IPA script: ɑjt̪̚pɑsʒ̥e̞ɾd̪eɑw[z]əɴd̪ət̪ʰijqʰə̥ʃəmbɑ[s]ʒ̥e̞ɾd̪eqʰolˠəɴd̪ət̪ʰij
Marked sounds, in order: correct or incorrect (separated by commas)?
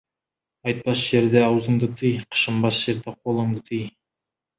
correct, correct